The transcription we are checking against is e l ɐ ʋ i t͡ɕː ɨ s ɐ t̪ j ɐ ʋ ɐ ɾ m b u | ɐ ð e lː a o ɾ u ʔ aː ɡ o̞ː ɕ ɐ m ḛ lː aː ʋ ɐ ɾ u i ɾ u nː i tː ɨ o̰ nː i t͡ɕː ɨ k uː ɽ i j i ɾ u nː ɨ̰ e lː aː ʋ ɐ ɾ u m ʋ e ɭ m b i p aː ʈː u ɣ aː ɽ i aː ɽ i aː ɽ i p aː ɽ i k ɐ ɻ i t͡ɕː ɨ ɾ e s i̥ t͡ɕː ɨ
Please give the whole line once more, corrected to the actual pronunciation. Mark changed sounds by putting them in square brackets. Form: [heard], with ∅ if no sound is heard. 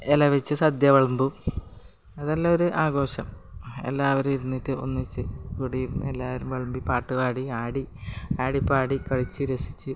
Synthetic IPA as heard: e l ɐ ʋ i t͡ɕː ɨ s ɐ [d̪] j ɐ ʋ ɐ [ɭ] m b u | ɐ ð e lː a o ɾ u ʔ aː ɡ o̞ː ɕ ɐ m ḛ lː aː ʋ ɐ ɾ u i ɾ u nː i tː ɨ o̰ nː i t͡ɕː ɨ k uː ɽ i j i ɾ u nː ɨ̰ e lː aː ʋ ɐ ɾ u m ʋ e ɭ m b i p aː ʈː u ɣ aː ɽ i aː ɽ i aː ɽ i p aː ɽ i k ɐ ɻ i t͡ɕː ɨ ɾ e s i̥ t͡ɕː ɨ